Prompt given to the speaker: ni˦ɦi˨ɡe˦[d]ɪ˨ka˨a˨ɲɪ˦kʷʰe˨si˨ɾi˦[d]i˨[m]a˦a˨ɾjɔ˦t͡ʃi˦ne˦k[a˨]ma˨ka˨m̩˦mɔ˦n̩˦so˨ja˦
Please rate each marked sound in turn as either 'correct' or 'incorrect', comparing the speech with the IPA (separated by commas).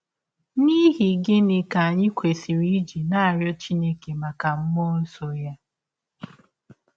incorrect, incorrect, incorrect, incorrect